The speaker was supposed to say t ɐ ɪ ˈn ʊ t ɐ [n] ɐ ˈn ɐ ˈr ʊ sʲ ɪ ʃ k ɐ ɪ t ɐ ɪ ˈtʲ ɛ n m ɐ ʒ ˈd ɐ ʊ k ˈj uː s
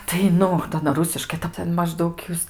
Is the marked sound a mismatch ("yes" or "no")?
yes